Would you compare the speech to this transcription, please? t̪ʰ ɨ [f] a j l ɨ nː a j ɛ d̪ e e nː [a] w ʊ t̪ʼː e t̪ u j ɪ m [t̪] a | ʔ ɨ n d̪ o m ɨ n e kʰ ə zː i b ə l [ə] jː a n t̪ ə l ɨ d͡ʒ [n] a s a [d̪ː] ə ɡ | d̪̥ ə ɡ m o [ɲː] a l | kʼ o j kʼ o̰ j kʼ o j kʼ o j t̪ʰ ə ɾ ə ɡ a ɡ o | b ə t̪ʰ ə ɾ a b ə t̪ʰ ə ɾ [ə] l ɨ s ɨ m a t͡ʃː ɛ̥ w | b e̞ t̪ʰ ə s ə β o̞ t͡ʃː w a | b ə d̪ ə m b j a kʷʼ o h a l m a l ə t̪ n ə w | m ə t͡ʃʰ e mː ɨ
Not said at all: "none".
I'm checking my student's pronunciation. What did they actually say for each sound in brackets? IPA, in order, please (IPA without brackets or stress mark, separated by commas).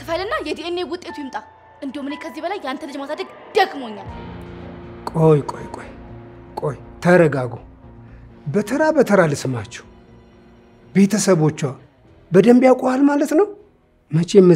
f, e, t̪ʼ, a, m, d̪, ɲː, a